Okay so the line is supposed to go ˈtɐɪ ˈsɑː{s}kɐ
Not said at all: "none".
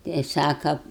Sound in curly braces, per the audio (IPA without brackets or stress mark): none